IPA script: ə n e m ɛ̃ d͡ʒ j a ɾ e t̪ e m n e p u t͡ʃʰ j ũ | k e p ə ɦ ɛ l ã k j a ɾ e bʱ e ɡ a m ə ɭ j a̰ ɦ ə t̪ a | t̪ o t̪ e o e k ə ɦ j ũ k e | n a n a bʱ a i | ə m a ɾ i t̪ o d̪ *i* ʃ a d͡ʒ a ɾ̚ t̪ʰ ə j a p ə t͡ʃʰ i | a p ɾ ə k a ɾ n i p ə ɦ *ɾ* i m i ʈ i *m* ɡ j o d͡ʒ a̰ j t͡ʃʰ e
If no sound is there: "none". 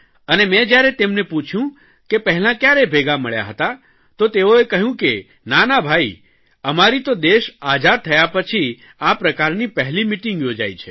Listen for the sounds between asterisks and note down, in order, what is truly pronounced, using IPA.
e, l, ŋ

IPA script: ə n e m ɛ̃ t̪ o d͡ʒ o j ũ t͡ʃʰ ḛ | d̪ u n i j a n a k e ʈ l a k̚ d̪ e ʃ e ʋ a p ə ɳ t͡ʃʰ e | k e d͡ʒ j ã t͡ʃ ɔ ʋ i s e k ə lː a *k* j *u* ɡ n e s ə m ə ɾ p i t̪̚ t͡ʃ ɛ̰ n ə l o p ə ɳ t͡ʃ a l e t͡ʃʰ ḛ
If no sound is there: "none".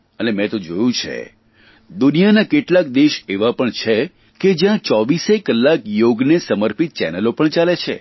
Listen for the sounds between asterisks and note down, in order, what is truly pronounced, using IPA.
k, o

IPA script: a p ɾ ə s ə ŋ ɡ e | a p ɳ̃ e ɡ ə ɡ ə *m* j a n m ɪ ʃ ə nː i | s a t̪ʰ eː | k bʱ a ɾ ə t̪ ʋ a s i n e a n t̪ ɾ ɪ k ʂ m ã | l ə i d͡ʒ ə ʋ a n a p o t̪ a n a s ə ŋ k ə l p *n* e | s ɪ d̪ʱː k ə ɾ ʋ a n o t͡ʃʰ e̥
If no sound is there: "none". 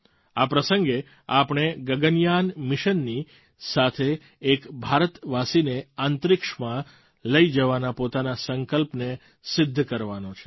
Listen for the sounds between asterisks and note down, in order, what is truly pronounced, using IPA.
n, n

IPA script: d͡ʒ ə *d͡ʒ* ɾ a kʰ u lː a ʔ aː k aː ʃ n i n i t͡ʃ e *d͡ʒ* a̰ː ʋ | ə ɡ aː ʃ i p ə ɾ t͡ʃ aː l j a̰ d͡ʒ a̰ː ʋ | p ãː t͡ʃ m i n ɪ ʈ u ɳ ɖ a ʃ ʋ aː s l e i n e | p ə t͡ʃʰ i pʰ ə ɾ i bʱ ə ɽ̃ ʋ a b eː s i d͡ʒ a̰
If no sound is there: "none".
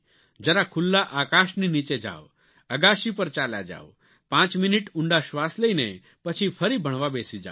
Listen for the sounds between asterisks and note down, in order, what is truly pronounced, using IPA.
none, d͡ʒ

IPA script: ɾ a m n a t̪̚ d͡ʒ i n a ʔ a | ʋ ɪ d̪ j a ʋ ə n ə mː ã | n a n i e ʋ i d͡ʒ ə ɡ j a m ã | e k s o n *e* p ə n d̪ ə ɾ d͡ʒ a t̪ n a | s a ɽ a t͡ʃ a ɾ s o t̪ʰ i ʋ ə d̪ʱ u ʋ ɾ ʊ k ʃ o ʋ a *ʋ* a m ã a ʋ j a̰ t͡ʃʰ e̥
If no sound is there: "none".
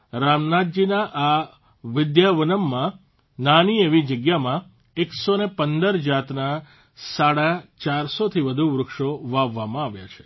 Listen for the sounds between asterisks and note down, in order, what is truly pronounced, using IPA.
e, ʋː

